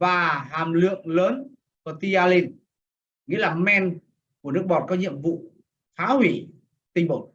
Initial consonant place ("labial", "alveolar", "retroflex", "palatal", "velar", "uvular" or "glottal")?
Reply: labial